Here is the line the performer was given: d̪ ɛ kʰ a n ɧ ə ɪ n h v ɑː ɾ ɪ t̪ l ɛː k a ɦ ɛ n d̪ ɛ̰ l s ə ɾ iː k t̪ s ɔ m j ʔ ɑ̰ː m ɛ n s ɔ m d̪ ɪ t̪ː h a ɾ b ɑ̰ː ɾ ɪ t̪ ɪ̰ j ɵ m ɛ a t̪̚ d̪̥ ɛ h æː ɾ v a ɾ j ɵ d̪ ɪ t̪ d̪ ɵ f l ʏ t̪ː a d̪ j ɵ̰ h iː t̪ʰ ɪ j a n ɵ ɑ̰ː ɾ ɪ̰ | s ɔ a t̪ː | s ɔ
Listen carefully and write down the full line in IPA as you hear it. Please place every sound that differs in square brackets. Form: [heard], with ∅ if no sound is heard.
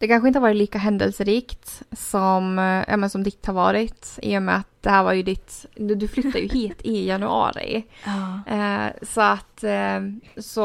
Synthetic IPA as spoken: d̪ ɛ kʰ a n ɧ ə ɪ n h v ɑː ɾ ɪ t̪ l [iː] k a ɦ ɛ n d̪ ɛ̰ l s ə ɾ iː k t̪ s ɔ m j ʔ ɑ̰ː m ɛ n s ɔ m d̪ ɪ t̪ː h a ɾ [v] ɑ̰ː ɾ ɪ t̪ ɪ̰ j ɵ m ɛ a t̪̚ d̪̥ ɛ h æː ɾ v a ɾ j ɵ d̪ ɪ t̪ d̪ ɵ f l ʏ t̪ː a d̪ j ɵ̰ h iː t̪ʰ ɪ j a n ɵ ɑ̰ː ɾ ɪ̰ | s ɔ a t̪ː | s ɔ